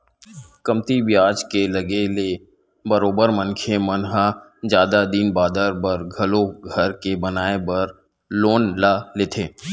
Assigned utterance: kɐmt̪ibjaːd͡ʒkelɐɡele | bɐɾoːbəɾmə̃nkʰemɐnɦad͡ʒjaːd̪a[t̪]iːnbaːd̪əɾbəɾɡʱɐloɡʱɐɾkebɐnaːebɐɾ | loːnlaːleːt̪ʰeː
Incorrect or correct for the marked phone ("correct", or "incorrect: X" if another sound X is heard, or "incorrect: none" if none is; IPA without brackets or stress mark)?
incorrect: d̪